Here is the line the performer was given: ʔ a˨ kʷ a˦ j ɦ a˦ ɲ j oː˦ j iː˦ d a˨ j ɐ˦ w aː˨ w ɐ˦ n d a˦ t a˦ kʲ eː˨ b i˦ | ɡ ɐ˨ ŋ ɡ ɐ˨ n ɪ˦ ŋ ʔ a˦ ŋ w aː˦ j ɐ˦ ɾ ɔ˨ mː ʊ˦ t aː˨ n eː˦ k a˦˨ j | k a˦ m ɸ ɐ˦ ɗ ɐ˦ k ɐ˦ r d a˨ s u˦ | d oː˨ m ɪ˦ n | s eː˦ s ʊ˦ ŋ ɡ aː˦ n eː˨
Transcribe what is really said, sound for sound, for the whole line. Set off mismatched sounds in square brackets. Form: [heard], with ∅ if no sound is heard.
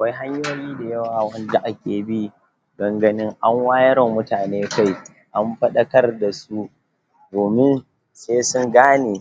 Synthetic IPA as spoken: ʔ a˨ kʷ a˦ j ɦ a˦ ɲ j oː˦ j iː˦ d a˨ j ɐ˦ w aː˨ w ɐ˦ n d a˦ [ʔ] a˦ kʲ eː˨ b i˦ | ɡ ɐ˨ ŋ ɡ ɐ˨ n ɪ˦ ŋ ʔ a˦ ŋ w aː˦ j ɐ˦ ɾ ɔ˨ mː ʊ˦ t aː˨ n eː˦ k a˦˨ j | [ʔ] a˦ m ɸ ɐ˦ ɗ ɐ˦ k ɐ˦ r d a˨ s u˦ | d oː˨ m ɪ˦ n | s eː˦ s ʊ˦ ŋ ɡ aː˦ n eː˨